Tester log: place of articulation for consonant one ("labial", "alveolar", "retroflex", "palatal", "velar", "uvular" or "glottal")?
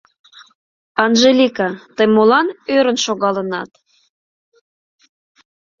alveolar